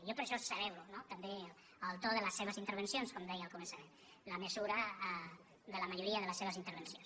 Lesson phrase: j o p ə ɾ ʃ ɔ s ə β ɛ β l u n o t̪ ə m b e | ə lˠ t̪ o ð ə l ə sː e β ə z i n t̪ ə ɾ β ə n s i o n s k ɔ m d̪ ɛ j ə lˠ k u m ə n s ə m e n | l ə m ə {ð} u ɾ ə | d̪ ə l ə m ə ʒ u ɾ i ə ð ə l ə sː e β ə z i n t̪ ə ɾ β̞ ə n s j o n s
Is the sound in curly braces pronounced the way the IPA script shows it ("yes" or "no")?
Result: no